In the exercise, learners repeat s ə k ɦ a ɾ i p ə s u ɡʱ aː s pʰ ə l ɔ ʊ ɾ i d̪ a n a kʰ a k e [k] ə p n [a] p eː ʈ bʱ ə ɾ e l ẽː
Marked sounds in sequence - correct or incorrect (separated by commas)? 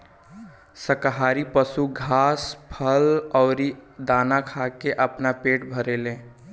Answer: incorrect, correct